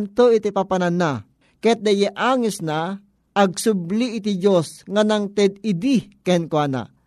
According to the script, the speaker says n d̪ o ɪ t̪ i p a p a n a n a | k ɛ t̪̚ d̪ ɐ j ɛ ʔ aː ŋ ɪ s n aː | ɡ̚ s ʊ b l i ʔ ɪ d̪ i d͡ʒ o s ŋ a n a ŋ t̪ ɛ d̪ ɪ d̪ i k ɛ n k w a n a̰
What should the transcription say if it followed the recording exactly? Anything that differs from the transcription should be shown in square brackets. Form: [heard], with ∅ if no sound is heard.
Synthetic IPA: n [t̪] o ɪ t̪ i p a p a n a n a | k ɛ t̪̚ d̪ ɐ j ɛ ʔ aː ŋ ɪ s n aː | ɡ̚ s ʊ b l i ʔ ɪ [t̪] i d͡ʒ o s ŋ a n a ŋ t̪ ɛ d̪ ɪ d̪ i k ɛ n k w a n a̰